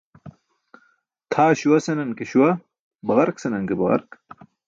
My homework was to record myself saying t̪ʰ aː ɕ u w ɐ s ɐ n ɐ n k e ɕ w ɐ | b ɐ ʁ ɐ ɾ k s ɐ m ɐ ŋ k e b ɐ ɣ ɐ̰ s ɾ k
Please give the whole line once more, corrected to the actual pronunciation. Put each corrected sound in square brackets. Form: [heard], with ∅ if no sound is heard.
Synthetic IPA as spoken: t̪ʰ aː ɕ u w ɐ s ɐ n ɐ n k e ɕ w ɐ | b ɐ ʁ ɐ ɾ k s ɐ [n] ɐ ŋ k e b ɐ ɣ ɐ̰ [∅] ɾ k